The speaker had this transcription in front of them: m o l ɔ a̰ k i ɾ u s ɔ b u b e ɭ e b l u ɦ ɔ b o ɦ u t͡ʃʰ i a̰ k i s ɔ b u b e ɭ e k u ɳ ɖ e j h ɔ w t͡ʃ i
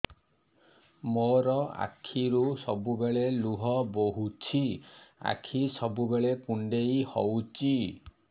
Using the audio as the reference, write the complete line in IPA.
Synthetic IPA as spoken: m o ɾ ɔ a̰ kʰ i ɾ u s ɔ b u b e ɭ e l u ɦ ɔ b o ɦ u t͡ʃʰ i a̰ kʰ i s ɔ b u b e ɭ e k u ɳ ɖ e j h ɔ w t͡ʃ i